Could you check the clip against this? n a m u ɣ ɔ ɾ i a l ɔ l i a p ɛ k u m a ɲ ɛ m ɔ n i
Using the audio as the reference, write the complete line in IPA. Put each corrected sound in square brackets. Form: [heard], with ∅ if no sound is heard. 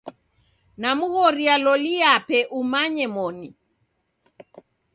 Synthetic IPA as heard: n a m u ɣ ɔ ɾ i a l ɔ l i a p ɛ [ʔ] u m a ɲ ɛ m ɔ n i